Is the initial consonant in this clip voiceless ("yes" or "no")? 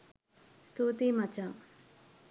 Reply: yes